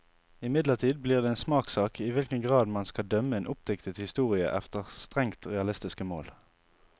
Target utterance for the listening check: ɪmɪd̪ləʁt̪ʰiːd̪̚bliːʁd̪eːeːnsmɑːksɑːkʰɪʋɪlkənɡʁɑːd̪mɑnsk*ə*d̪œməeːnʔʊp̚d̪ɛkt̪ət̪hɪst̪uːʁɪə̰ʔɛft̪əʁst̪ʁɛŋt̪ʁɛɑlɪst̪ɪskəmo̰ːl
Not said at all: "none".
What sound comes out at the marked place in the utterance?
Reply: ɑ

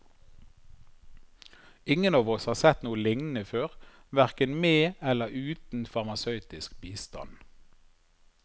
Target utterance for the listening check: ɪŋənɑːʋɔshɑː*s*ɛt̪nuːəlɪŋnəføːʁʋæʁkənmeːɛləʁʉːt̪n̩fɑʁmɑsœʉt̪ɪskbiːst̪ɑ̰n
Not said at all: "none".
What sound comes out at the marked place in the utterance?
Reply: s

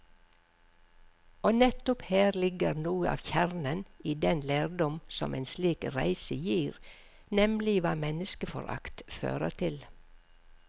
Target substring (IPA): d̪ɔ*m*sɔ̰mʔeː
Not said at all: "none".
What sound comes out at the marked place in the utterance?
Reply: m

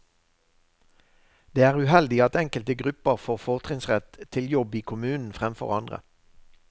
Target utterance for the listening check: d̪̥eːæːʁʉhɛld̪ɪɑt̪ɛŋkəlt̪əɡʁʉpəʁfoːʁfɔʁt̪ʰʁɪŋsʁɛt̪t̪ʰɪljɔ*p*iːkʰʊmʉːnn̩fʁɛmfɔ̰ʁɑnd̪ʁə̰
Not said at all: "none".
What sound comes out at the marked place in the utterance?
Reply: b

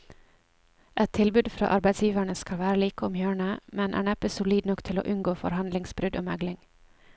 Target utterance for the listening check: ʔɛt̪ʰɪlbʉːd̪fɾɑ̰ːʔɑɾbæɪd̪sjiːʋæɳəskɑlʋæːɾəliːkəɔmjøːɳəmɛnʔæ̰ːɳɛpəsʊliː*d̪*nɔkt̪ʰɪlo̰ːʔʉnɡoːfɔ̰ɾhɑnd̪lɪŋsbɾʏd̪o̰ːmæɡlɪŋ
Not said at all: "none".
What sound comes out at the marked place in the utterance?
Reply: d̪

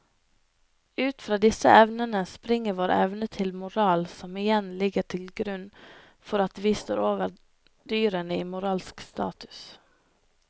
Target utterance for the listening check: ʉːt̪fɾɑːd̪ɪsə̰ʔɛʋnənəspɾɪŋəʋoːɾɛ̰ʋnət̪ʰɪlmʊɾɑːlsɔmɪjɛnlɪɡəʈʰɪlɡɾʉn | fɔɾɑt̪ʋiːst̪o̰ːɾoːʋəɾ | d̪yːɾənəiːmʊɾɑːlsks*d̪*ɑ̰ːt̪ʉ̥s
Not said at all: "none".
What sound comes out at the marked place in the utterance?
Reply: t̪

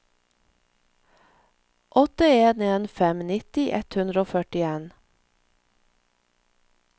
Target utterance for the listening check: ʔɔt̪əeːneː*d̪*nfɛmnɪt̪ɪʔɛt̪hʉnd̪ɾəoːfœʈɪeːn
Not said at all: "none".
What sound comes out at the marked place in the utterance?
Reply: none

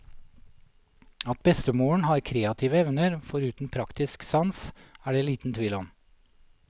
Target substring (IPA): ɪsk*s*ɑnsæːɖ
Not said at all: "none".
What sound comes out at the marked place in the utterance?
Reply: s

